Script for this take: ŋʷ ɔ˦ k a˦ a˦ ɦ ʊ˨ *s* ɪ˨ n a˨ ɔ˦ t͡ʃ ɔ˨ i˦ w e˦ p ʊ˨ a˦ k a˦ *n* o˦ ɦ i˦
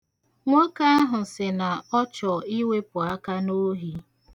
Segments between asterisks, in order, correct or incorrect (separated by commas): correct, correct